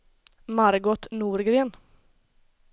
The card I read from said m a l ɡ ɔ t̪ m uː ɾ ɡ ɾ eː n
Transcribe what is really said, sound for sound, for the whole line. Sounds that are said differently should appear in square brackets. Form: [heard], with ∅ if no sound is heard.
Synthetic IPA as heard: m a [ɾ] ɡ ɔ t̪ [n] uː ɾ ɡ ɾ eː n